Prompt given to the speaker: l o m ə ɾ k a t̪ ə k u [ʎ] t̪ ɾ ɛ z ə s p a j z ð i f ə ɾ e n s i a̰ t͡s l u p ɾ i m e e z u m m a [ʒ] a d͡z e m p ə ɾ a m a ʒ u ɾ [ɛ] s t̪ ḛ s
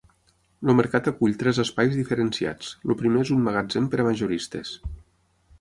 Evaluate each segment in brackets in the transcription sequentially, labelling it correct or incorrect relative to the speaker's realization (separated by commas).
correct, incorrect, incorrect